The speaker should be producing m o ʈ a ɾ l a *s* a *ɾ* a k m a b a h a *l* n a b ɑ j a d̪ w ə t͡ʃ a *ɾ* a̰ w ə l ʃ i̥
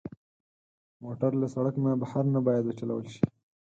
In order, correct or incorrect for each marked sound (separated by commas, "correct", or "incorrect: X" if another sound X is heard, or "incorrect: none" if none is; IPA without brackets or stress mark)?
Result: correct, incorrect: ɽ, incorrect: ɾ, incorrect: l